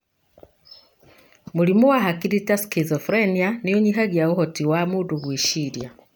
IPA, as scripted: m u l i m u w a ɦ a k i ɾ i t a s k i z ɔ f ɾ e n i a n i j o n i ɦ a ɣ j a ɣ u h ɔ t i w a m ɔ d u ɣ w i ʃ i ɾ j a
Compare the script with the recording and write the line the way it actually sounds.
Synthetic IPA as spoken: m u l i m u w a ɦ a k i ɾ i t a s k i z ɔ f ɾ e n i a n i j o ɲ i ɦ a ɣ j a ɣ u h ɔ t i w a m u d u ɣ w i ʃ i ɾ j a